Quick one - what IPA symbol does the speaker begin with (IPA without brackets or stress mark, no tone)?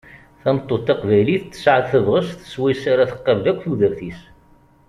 θ